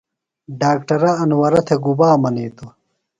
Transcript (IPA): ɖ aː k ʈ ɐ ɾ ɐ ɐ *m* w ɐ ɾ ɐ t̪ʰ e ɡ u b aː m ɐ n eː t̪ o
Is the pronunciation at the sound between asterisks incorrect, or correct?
incorrect